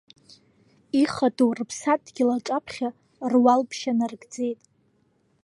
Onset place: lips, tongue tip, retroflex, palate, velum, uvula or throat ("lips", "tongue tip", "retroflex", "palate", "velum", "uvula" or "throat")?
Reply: uvula